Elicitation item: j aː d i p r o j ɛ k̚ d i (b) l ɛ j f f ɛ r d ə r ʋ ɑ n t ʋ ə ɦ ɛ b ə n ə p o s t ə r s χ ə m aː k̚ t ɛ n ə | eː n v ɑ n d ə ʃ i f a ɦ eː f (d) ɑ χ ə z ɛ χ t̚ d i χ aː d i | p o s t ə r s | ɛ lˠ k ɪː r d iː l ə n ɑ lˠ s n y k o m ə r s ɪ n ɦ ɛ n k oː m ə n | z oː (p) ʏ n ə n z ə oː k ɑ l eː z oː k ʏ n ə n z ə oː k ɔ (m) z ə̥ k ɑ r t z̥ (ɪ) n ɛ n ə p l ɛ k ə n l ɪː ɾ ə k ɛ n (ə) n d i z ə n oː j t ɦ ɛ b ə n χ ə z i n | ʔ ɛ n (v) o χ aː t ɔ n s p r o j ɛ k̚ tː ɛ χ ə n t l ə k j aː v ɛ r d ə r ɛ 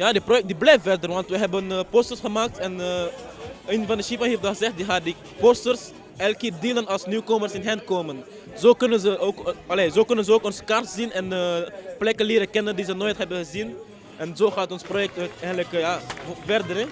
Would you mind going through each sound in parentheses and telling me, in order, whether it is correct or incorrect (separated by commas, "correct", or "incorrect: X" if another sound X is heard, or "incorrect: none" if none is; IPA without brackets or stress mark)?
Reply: correct, correct, incorrect: k, incorrect: n, incorrect: i, correct, incorrect: z